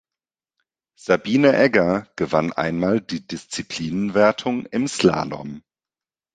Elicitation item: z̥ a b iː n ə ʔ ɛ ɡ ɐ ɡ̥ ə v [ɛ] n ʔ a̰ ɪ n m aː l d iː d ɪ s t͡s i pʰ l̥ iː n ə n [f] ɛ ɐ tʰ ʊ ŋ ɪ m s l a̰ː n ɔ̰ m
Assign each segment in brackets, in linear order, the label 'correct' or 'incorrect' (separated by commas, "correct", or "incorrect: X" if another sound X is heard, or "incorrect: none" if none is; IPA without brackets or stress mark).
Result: incorrect: a, incorrect: v